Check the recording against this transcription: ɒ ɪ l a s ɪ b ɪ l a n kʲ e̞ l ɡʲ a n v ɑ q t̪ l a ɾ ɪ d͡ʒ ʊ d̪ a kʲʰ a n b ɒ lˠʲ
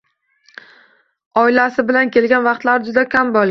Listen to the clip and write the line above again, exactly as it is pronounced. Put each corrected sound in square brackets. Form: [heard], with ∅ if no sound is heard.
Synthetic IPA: ɒ ɪ l a s ɪ b ɪ l a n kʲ e̞ l ɡʲ a n v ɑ q t̪ l a ɾ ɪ d͡ʒ ʊ d̪ a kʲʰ a [m] b ɒ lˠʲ

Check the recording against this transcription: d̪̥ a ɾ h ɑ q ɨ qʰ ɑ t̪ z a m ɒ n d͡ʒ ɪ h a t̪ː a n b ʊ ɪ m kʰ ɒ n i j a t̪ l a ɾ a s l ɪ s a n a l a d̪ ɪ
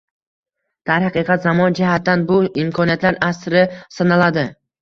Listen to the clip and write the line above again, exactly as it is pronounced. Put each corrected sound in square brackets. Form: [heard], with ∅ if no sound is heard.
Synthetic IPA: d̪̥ a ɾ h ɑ q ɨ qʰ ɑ t̪ z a m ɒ n d͡ʒ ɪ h a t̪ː a n b ʊ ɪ m kʰ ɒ n i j a t̪ l a ɾ a s [ɾ] ɪ s a n a l a d̪ ɪ

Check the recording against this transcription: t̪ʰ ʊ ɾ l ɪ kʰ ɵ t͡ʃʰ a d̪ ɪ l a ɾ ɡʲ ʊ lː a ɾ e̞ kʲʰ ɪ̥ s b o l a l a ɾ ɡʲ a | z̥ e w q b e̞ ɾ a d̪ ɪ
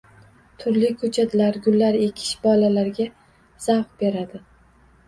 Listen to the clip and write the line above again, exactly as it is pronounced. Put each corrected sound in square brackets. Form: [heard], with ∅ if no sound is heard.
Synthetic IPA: t̪ʰ ʊ ɾ l ɪ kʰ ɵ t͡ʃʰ a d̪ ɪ l a ɾ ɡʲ ʊ lː a ɾ e̞ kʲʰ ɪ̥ [ʃ] b [ɒ] l a l a ɾ ɡʲ a | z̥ [a] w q b e̞ ɾ a d̪ ɪ

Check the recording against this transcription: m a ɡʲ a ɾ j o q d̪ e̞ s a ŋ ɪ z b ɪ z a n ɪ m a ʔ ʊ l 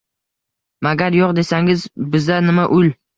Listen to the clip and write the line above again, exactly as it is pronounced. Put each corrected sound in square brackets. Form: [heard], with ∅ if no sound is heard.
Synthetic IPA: m a ɡʲ a ɾ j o q d̪ e̞ s a ŋ ɪ z b ɪ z a n ɪ m a ʔ ʊ l

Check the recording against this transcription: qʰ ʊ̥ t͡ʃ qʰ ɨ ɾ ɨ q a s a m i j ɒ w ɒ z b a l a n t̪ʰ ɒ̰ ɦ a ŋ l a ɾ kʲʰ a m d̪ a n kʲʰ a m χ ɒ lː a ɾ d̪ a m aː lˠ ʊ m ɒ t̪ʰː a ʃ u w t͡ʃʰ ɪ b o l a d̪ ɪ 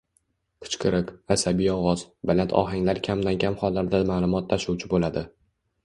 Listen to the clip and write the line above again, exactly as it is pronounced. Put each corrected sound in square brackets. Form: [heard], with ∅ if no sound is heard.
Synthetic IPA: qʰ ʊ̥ t͡ʃ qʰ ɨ ɾ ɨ q a s a [b] i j ɒ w ɒ z b a l a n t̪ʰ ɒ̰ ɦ a ŋ l a ɾ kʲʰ a m d̪ a n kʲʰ a m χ ɒ lː a ɾ d̪ a m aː lˠ ʊ m ɒ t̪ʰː a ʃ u w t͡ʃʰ ɪ b o l a d̪ ɪ

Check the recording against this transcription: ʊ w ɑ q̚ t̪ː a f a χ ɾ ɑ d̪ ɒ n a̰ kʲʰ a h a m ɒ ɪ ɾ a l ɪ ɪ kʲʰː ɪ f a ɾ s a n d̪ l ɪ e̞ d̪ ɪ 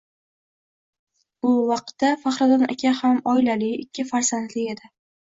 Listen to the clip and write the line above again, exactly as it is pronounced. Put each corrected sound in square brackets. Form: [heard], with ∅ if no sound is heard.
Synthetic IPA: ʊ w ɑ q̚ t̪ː a f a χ ɾ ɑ d̪ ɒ n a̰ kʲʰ a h a m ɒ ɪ [l] a l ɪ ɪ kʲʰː ɪ f a ɾ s a n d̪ l ɪ e̞ d̪ ɪ

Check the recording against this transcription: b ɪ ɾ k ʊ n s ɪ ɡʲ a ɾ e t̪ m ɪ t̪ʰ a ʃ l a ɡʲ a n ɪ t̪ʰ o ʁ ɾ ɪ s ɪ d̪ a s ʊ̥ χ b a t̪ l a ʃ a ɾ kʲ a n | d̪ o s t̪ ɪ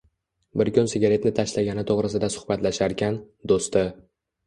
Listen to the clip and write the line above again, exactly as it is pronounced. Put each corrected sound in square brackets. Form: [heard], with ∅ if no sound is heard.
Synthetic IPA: b ɪ ɾ k ʊ n s ɪ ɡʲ a ɾ e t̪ [n] ɪ t̪ʰ a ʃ l a ɡʲ a n ɪ t̪ʰ o ʁ ɾ ɪ s ɪ d̪ a s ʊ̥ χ b a t̪ l a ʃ a ɾ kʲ a n | d̪ o s t̪ ɪ

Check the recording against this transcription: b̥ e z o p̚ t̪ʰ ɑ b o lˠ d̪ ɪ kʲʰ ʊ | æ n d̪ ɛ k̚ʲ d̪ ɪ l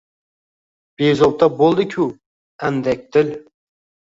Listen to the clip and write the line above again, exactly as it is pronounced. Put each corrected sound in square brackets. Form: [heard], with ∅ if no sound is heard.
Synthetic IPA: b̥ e z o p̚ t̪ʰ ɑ b o lˠ d̪ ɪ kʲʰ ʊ | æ n d̪ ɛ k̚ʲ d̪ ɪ l

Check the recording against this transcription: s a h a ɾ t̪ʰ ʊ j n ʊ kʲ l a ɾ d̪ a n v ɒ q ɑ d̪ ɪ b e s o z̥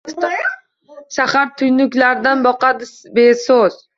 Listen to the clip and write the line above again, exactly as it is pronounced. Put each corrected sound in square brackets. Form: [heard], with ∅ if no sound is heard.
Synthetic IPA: [ʃ] a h a ɾ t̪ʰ ʊ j n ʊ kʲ l a ɾ d̪ a n [b] ɒ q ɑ d̪ ɪ b e s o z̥

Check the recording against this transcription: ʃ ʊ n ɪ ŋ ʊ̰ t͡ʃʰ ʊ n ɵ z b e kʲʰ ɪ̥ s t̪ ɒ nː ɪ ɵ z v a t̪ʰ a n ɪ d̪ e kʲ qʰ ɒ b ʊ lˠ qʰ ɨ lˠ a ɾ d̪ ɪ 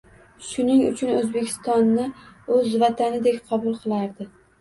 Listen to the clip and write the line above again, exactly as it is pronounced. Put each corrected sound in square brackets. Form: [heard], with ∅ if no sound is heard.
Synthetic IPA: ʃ ʊ n ɪ ŋ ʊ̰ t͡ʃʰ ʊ n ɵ z b e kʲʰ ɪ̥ s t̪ ɒ nː ɪ ɵ z v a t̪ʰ a n ɪ d̪ e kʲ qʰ ɒ b ʊ lˠ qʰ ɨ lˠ a ɾ d̪ ɪ

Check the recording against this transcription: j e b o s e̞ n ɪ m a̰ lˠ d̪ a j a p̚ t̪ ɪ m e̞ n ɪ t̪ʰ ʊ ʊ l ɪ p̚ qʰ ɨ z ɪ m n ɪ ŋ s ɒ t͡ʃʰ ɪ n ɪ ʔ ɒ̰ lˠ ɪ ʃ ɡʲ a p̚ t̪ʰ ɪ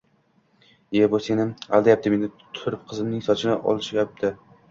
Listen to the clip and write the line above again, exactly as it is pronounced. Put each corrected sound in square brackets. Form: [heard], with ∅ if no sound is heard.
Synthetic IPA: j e b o s e̞ n ɪ m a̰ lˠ d̪ a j a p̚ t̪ ɪ m e̞ n ɪ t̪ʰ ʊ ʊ [ɾ] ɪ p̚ qʰ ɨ z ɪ m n ɪ ŋ s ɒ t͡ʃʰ ɪ n ɪ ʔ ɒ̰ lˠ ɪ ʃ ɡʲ a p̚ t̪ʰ ɪ

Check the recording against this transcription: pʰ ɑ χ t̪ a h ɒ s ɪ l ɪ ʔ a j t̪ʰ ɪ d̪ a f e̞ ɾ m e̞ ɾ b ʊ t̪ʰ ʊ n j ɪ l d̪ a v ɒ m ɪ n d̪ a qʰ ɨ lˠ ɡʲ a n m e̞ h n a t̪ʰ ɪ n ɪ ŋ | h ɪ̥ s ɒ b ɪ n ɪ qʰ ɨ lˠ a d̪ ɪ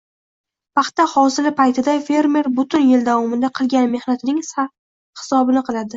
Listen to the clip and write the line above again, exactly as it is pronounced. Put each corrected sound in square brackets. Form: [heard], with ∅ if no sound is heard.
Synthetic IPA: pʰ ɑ χ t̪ a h ɒ s ɪ l ɪ [p] a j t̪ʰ ɪ d̪ a f e̞ ɾ m e̞ ɾ b ʊ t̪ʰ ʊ n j ɪ l d̪ a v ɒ m ɪ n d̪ a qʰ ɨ lˠ ɡʲ a n m e̞ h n a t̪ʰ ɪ n ɪ ŋ | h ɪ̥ s ɒ b ɪ n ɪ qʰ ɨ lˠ a d̪ ɪ

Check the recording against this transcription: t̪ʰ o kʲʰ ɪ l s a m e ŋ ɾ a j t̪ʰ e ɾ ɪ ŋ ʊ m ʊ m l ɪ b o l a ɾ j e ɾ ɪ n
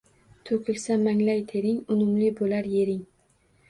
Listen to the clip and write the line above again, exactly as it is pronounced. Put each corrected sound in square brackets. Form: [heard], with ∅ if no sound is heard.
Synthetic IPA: t̪ʰ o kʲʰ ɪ l s a m [a] ŋ [l] a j t̪ʰ e ɾ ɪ ŋ ʊ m ʊ m l ɪ b o l a ɾ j e ɾ ɪ [ŋ]

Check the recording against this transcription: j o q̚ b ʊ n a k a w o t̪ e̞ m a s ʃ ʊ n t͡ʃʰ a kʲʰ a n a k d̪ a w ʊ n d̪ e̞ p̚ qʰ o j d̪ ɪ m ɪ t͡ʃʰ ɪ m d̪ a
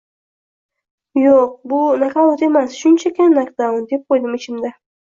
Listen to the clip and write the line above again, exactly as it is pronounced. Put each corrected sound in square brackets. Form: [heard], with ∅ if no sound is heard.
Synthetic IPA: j o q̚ b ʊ n a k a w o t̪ e̞ m a s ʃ ʊ n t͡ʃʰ a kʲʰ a n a k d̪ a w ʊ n d̪ e̞ p̚ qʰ o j d̪ ɪ m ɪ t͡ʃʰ ɪ m d̪ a

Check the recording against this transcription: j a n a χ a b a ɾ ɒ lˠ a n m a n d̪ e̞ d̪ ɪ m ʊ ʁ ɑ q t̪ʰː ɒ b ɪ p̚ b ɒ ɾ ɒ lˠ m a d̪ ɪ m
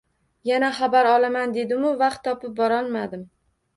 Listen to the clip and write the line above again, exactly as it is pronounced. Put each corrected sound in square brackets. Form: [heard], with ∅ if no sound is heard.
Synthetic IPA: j a n a χ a b a ɾ ɒ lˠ a [∅] m a n d̪ e̞ d̪ ɪ m ʊ [v] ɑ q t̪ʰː ɒ [p] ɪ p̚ b ɒ ɾ ɒ lˠ m a d̪ ɪ m

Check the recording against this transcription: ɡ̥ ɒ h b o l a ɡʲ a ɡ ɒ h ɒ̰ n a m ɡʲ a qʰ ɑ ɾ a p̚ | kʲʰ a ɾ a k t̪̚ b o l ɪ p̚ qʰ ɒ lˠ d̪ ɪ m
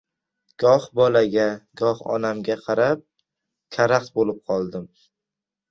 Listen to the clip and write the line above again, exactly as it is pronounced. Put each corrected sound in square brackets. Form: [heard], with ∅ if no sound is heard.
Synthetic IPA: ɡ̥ ɒ h b [ɒ] l a ɡʲ a ɡ ɒ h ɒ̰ n a m ɡʲ a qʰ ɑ ɾ a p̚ | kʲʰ a ɾ a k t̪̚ b o l ɪ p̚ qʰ ɒ lˠ d̪ ɪ m

